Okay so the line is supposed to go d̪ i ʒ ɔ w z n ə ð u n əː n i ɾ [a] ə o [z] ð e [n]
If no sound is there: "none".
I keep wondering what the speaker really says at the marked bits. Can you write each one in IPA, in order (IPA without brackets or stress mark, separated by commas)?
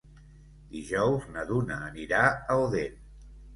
a, none, n